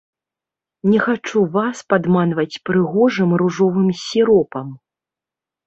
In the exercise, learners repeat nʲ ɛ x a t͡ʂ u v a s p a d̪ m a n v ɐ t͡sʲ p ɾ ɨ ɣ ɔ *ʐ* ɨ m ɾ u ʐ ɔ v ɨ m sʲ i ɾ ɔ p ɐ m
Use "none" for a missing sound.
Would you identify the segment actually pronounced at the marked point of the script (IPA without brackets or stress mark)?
ʐ